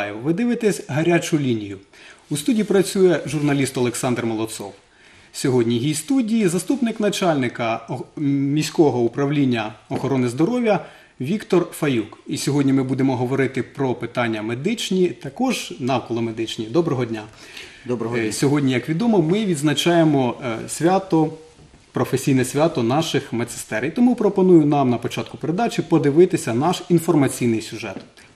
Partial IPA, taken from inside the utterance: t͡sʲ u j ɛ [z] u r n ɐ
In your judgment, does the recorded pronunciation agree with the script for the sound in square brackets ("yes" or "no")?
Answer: no